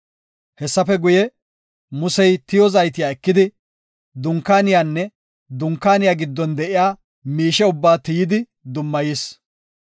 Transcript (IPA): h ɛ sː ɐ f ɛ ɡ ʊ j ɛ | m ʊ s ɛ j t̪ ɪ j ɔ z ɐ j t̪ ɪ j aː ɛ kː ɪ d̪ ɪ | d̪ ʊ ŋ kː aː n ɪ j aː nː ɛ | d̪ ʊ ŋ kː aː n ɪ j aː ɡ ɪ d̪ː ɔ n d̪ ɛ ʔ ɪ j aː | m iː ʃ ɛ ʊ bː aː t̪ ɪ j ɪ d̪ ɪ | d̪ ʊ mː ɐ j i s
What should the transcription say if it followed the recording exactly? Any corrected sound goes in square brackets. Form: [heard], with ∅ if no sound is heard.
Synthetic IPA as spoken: h ɛ sː ɐ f ɛ ɡ ʊ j ɛ | m ʊ s ɛ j t̪ ɪ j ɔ z ɐ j t̪ ɪ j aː ɛ kː ɪ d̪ ɪ | d̪ ʊ ŋ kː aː n ɪ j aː nː ɛ | d̪ ʊ ŋ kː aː n ɪ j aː ɡ ɪ d̪ː ɔ n d̪ ɛ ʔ ɪ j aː | m iː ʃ ɛ ʊ bː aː t̪ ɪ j ɪ d̪ ɪ | d̪ ʊ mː ɐ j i s